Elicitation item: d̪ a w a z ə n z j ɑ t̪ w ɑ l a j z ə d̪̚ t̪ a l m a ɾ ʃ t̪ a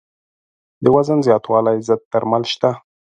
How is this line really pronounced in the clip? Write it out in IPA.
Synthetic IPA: d̪ ə w a z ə n z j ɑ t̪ w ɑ l a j z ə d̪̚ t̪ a ɾ m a l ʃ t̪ a

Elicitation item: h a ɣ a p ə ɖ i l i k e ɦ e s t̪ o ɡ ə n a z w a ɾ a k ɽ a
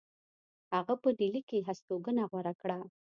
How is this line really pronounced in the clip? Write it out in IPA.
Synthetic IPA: h a ɣ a p ə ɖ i l i k e ɦ a s t̪ o ɡ ə n a ɣ w a ɾ a k ɽ a

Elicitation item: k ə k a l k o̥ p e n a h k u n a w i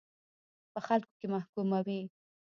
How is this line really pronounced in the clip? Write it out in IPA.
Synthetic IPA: p ə x a l k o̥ k e m a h k u m a w i

